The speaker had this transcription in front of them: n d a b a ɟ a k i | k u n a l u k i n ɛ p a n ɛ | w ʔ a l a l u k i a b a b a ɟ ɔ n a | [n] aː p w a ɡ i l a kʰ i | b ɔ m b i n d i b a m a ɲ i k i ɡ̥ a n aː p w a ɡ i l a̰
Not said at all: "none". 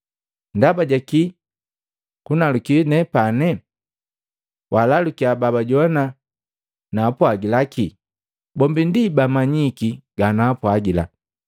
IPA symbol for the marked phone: n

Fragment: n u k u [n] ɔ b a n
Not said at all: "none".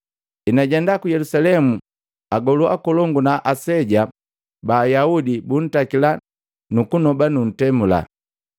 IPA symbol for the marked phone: n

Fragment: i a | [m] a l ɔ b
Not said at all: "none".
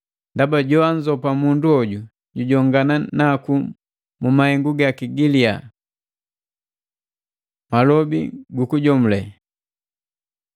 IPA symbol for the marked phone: m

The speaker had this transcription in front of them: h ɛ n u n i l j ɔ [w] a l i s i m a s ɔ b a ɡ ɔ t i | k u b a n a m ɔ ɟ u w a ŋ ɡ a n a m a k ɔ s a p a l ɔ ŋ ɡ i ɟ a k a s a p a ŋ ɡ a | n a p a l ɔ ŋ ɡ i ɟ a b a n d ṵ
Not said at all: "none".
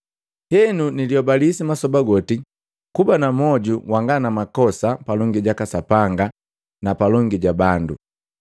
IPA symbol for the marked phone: b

